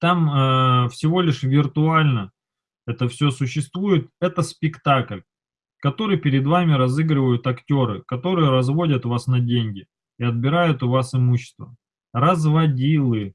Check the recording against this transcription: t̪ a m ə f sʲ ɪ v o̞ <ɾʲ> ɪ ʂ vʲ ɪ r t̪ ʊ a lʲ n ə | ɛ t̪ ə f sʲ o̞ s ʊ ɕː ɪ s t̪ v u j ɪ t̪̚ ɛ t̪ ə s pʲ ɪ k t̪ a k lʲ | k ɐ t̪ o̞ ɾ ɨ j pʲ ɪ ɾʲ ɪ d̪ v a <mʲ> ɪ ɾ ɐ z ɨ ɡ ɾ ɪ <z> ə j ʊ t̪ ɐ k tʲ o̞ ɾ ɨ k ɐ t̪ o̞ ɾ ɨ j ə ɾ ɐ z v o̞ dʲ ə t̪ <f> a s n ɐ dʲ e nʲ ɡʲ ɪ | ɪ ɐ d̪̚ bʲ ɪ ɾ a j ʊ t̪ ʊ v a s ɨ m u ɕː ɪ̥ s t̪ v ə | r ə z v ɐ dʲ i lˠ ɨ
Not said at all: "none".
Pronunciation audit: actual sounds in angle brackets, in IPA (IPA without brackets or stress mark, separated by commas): lʲ, mʲ, v, v